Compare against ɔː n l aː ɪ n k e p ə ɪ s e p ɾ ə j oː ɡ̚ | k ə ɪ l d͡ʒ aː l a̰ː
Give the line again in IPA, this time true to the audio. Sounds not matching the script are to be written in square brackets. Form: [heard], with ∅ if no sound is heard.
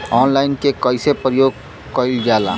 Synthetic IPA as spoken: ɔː n l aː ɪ n k e [k] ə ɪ s e p ɾ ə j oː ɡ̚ | k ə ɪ l d͡ʒ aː l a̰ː